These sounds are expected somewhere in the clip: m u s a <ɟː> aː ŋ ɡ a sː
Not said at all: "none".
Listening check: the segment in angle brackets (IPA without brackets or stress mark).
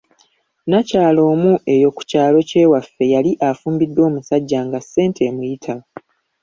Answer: ɟː